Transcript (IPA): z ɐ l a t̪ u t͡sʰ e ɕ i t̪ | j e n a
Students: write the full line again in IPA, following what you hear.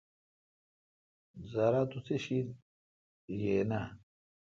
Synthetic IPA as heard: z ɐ ɾ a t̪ u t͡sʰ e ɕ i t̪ | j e n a